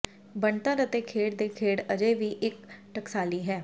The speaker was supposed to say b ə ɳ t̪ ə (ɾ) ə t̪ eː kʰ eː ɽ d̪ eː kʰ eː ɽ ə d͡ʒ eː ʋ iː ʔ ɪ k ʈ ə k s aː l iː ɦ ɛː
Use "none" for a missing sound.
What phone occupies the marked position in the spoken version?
ɾ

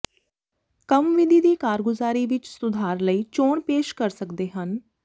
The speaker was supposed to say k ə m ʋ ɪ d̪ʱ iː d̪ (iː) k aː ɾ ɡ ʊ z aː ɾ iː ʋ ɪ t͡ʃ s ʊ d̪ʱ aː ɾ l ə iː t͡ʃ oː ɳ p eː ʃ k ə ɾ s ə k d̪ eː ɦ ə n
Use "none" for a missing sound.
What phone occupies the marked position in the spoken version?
iː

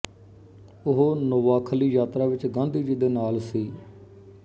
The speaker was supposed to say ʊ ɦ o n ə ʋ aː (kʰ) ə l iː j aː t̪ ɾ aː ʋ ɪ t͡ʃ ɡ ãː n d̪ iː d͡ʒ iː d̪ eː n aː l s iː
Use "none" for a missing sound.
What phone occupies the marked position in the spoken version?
kʰ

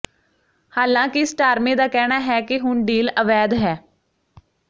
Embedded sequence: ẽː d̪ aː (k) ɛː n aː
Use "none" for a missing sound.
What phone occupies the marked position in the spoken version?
k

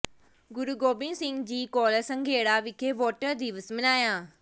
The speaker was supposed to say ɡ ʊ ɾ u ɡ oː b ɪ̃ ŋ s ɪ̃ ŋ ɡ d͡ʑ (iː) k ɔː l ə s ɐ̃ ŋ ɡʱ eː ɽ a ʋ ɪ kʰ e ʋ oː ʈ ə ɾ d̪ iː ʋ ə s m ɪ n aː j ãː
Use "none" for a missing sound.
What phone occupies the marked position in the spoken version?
iː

